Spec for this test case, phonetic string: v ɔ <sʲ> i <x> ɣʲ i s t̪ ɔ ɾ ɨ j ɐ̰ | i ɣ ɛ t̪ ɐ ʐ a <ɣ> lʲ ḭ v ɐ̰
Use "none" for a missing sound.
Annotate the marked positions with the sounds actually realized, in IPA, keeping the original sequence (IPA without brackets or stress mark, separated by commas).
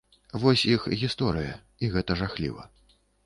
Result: sʲ, x, x